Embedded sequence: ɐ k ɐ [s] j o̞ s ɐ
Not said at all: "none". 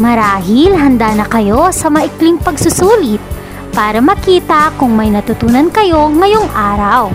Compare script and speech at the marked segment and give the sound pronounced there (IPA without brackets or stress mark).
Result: none